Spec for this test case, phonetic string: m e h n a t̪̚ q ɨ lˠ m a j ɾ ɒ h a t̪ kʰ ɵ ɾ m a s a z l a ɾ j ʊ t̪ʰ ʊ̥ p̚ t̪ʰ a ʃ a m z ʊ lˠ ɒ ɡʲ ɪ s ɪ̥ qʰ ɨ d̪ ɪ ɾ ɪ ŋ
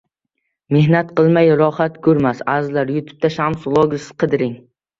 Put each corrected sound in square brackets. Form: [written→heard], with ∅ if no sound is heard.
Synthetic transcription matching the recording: m e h n a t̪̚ q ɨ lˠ m a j ɾ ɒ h a t̪ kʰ ɵ ɾ m a s a z l a ɾ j ʊ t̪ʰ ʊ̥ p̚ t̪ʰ a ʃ a m [z→s] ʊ lˠ ɒ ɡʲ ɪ s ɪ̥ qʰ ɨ d̪ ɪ ɾ ɪ ŋ